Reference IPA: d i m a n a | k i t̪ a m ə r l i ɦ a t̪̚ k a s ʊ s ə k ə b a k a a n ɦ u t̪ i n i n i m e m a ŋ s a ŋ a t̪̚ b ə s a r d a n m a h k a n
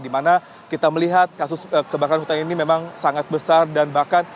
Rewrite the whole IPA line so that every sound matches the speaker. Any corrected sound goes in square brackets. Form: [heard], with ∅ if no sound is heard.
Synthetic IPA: d i m a n a | k i t̪ a m ə [∅] l i ɦ a t̪̚ k a s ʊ s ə k ə b a k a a n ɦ u t̪ [a] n i n i m e m a ŋ s a ŋ a t̪̚ b ə s a r d a n [b] a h k a n